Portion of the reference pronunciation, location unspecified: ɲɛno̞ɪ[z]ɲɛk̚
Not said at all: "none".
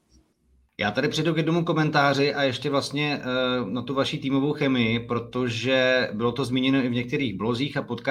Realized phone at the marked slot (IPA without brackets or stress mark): v